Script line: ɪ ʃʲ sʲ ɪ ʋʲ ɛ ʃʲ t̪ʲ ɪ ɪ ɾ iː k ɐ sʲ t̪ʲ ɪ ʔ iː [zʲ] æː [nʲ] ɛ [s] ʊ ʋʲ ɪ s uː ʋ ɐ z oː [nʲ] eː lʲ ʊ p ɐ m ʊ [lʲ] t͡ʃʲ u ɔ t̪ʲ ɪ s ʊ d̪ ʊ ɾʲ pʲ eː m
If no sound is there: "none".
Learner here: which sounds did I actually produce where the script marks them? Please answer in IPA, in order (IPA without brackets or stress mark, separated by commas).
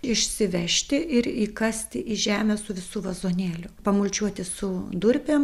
ʒʲ, mʲ, s, nʲ, lʲ